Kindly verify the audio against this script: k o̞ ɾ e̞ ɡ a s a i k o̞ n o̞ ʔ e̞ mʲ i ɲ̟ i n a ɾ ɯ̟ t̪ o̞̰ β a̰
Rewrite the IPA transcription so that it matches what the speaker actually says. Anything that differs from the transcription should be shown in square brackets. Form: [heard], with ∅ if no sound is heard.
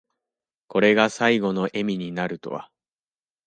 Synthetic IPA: k o̞ ɾ e̞ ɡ a s a i [ɡ] o̞ n o̞ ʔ e̞ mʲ i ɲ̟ i n a ɾ ɯ̟ t̪ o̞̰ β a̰